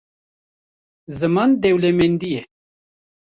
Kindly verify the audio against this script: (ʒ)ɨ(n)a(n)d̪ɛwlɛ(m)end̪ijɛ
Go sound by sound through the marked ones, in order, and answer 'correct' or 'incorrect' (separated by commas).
incorrect, incorrect, correct, correct